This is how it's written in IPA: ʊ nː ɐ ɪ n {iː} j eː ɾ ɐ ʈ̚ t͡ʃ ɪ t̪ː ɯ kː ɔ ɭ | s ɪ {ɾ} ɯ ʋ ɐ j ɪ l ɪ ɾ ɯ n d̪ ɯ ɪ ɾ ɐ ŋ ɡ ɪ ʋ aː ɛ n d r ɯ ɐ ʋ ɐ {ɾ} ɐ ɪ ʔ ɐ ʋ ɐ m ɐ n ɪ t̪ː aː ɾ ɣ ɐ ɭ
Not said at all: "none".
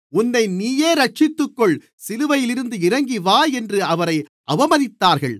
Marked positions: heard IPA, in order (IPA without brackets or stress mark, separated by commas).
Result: iː, l, ɾ